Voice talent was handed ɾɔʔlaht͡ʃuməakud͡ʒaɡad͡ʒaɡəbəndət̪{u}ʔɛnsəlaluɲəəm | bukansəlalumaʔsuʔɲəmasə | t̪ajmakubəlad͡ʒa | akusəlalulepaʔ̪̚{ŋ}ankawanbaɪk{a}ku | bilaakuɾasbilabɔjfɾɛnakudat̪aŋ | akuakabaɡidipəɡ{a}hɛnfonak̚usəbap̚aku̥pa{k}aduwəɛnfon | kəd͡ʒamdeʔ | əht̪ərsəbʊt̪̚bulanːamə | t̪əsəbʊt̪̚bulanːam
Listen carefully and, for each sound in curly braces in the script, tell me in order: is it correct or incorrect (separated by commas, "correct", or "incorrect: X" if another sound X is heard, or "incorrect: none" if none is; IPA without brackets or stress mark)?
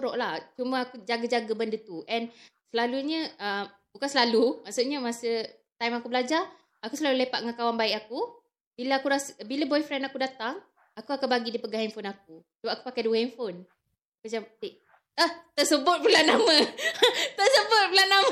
correct, correct, correct, correct, correct